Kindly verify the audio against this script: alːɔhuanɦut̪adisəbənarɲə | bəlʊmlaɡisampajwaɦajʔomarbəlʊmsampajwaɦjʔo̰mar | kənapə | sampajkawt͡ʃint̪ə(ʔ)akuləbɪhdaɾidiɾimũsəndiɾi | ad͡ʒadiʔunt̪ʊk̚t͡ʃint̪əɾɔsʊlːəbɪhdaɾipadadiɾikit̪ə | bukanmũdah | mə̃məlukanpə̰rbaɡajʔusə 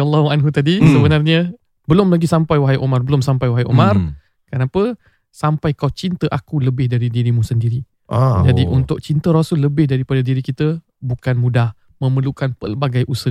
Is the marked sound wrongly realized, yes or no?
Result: no